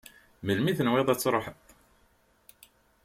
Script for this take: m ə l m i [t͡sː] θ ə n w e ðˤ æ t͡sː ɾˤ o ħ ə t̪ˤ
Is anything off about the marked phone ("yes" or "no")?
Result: yes